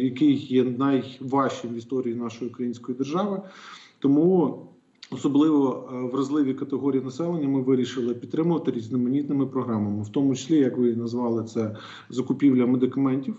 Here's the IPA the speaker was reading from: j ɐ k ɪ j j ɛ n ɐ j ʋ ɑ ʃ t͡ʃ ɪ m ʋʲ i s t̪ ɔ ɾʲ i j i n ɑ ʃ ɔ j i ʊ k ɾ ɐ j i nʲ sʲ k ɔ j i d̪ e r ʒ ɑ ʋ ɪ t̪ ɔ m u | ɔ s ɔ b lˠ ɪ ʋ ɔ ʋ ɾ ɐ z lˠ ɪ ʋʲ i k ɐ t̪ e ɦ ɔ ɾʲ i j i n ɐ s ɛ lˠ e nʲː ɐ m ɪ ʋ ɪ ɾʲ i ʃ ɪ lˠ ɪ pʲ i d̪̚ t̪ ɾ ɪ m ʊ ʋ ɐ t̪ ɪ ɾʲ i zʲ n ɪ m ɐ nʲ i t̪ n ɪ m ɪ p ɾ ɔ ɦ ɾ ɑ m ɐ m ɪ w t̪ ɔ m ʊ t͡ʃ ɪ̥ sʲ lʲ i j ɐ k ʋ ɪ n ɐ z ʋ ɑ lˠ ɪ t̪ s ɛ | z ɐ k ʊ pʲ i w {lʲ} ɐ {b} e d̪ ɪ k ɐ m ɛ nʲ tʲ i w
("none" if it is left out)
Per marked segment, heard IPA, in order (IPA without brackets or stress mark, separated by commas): lʲ, m